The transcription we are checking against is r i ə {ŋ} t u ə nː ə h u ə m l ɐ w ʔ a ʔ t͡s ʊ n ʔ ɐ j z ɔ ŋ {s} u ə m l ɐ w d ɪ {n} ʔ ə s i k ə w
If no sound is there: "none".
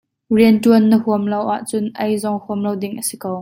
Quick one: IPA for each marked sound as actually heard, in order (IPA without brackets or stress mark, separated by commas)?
n, h, ŋ